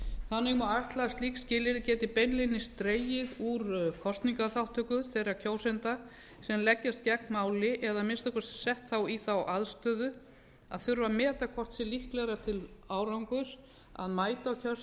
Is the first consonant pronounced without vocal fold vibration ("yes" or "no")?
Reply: yes